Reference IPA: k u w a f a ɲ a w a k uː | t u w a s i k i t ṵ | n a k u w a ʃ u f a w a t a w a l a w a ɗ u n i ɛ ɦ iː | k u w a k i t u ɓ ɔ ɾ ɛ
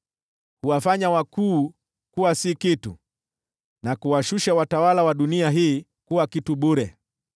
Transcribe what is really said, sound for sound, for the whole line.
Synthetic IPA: k u w a f a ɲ a w a k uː | k u w a s i k i t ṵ | n a k u w a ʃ u ʃ a w a t a w a l a w a ɗ u n i a ɦ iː | k u w a k i t u ɓ u ɾ ɛ